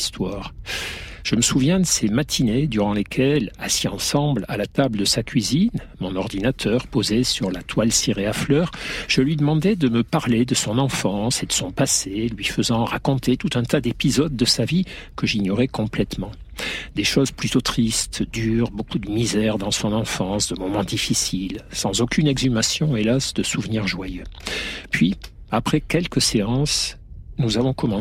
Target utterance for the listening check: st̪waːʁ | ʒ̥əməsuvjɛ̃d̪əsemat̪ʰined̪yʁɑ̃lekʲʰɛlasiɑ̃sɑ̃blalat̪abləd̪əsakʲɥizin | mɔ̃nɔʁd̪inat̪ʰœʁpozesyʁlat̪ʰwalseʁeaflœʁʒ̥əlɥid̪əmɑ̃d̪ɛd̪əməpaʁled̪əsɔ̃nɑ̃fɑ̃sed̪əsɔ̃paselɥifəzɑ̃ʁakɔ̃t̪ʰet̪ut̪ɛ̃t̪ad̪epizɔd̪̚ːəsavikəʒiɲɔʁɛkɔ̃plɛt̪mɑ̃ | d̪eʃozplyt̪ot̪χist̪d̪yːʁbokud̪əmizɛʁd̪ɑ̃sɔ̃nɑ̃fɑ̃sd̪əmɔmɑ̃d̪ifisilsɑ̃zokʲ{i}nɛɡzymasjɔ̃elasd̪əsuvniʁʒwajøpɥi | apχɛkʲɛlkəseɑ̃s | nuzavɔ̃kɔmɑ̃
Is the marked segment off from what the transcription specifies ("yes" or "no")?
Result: yes